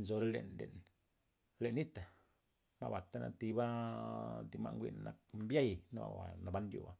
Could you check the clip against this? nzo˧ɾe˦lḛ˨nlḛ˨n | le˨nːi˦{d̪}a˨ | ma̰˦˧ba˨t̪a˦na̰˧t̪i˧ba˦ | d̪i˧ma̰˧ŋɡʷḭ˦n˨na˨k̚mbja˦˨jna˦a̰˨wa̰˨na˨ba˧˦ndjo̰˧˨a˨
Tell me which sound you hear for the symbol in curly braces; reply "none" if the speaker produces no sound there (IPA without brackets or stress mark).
t̪